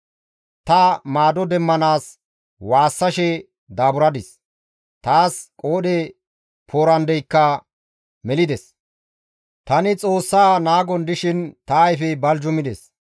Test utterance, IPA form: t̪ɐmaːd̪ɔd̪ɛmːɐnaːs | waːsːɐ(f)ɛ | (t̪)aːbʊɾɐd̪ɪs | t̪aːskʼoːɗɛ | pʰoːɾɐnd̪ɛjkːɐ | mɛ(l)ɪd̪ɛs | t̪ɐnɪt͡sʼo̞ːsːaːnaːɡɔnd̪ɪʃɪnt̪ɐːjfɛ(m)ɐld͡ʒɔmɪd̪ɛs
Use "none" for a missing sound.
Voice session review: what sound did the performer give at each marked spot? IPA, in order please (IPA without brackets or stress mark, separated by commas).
ʃ, d̪, l, b